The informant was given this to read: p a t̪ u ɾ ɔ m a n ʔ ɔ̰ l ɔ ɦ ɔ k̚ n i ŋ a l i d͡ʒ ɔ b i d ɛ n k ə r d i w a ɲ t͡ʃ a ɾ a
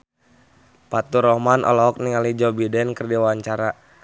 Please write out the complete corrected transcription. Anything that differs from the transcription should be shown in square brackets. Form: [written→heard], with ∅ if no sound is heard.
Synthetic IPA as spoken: p a t̪ u ɾ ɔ m a n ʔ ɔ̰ l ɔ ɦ ɔ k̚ n i ŋ a l i d͡ʒ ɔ b i d ɛ n k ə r d i w a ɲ t͡ʃ a ɾ a